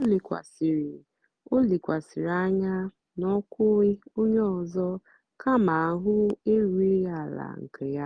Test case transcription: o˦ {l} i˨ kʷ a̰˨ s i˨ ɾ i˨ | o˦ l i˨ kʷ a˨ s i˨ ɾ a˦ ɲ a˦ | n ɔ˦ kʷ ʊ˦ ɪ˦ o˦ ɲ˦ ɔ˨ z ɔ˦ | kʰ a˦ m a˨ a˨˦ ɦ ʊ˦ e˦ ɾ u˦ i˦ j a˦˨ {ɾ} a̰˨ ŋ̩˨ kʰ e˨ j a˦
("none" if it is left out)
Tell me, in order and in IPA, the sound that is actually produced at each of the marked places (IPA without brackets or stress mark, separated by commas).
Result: l, l